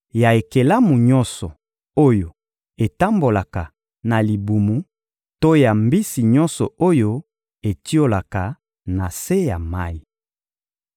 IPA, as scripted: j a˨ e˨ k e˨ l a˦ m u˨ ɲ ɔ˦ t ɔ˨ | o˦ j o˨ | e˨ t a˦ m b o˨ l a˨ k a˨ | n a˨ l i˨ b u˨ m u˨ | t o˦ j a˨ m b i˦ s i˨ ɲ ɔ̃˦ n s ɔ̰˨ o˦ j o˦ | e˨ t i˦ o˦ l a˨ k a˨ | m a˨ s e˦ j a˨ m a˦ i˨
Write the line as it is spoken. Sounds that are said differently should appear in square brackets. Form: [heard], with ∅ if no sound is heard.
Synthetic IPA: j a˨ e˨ k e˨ l a˦ m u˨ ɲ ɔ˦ [s] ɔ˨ | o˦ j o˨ | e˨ t a˦ m b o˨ l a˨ k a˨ | n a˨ l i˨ b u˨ m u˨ | t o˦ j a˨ m b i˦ s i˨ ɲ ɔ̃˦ n s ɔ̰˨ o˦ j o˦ | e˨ t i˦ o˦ l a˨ k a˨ | [n] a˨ s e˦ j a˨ m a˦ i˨